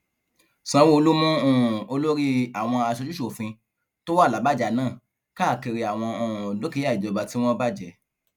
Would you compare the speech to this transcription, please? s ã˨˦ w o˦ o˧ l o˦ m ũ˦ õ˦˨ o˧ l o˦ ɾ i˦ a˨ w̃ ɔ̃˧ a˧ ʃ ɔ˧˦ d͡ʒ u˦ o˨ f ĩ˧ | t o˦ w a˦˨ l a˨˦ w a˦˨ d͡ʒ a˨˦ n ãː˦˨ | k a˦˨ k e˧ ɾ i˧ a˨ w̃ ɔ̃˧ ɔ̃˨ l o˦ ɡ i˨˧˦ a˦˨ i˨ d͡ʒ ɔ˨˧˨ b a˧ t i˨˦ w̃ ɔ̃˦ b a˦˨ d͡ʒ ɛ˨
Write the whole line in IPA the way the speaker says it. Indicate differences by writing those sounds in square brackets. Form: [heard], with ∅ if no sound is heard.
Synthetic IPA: s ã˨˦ w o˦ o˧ l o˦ m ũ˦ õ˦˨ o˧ l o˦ ɾ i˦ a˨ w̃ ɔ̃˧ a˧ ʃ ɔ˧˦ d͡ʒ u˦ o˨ f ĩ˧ | t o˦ w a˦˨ l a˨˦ [b] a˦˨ d͡ʒ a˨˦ n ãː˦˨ | k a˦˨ k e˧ ɾ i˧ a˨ w̃ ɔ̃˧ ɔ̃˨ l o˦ [k] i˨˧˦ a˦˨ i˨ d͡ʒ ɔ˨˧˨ b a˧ t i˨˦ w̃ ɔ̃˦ b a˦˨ d͡ʒ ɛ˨